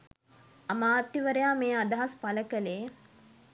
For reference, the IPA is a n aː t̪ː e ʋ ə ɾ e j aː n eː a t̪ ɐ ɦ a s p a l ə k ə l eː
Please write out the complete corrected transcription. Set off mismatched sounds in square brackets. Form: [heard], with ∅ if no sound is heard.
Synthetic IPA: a [m] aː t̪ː [i] ʋ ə ɾ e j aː [m] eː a [d̪] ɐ ɦ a s p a l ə k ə l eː